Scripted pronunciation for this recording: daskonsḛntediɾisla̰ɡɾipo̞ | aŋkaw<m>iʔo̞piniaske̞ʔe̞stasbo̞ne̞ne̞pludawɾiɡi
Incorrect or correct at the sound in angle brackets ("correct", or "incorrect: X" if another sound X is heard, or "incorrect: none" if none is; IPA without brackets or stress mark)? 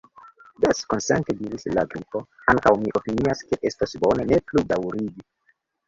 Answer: correct